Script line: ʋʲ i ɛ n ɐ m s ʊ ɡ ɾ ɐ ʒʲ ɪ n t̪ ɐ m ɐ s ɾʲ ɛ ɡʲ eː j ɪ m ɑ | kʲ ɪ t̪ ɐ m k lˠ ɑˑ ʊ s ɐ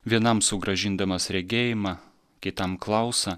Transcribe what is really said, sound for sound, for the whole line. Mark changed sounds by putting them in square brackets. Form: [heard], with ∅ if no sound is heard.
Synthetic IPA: ʋʲ i ɛ n ɐ m s ʊ ɡ ɾ ɐ ʒʲ ɪ n [d̪] ɐ m ɐ s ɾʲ ɛ ɡʲ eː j ɪ m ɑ | kʲ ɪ t̪ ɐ m k lˠ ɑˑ ʊ s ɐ